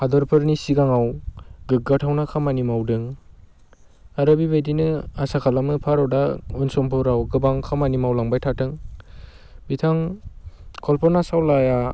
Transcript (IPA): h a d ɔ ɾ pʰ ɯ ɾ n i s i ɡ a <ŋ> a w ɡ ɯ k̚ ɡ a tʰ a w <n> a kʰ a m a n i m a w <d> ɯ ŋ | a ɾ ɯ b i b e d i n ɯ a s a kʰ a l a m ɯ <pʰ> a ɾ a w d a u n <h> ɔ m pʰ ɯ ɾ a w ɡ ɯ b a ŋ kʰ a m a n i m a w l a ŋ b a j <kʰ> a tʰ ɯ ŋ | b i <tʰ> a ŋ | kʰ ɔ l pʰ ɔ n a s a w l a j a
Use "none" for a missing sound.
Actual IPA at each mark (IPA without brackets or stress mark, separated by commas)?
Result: ŋ, n, d, pʰ, s, tʰ, tʰ